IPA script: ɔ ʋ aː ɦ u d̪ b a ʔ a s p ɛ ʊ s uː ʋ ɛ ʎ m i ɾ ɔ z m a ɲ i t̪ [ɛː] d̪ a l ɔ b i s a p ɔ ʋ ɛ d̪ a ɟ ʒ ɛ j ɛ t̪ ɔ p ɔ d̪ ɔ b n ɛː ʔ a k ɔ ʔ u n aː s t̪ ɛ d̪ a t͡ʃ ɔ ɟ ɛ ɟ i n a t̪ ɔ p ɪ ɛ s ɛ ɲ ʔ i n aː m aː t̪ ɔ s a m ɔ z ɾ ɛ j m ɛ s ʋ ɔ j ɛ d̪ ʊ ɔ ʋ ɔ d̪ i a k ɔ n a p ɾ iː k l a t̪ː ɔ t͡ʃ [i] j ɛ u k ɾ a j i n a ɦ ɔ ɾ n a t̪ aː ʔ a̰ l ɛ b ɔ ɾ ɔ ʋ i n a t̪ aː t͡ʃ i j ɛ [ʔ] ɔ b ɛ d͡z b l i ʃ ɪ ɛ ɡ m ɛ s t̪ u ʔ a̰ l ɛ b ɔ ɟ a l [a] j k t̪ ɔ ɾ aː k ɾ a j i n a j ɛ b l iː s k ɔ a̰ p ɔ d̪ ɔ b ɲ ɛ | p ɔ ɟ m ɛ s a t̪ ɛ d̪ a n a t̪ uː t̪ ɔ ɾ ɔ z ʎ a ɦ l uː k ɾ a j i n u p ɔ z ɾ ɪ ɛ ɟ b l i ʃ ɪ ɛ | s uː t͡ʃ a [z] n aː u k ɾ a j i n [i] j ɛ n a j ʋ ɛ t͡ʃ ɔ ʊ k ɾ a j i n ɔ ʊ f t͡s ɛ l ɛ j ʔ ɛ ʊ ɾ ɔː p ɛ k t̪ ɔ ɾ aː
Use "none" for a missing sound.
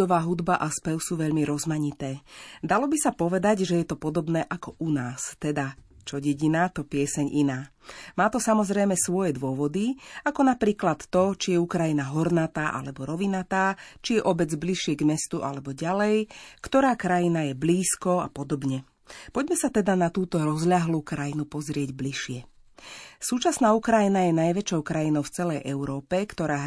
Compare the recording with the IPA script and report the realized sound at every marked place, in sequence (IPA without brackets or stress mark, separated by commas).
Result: ɛː, i, ʔ, ɛ, s, a